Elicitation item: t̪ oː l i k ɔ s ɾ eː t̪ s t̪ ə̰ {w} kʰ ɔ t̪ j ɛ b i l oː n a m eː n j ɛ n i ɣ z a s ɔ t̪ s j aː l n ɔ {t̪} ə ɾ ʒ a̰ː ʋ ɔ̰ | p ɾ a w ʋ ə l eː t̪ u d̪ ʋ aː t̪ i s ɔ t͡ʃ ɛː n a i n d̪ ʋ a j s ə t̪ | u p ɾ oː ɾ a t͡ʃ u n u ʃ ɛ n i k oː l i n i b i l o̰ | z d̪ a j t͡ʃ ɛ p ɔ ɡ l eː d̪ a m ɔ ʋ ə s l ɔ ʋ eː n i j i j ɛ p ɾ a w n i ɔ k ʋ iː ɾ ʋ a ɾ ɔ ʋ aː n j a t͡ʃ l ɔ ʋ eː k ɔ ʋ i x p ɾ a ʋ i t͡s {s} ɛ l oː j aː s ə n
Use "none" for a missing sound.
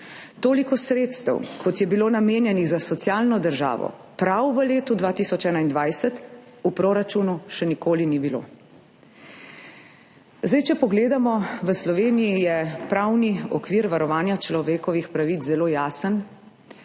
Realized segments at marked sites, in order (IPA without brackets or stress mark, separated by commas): w, d̪, z